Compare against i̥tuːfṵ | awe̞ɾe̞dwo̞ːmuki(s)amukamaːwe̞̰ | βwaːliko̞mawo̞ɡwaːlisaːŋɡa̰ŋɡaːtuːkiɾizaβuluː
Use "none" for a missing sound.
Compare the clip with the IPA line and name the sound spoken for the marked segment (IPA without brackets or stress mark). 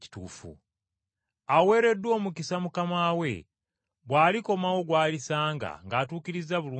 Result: s